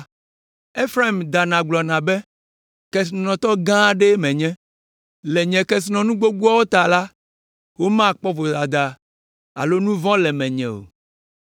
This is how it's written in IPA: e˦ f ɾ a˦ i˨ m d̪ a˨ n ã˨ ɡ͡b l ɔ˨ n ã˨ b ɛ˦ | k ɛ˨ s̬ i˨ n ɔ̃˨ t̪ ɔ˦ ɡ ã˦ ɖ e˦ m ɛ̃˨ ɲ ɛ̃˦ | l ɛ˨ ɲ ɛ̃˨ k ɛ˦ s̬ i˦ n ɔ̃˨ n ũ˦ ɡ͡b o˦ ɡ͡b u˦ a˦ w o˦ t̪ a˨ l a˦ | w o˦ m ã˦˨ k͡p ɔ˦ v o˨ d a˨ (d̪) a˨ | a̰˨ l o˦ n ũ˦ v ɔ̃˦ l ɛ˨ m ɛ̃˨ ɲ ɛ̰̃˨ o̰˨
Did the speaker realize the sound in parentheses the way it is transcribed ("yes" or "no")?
yes